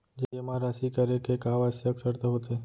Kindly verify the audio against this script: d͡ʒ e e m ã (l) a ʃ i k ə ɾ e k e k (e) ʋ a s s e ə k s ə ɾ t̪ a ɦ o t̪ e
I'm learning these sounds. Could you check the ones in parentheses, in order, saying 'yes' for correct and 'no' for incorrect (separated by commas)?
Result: no, no